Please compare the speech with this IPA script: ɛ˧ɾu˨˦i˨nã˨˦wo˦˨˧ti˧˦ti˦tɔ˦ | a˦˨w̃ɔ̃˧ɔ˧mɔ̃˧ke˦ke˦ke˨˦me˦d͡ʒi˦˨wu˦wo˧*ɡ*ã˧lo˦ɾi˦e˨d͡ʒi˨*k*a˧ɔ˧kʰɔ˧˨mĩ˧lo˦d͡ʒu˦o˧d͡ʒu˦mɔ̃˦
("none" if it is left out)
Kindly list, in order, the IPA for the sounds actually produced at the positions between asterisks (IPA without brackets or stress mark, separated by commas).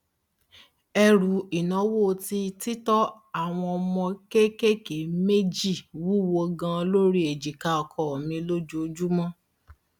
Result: ɡ, k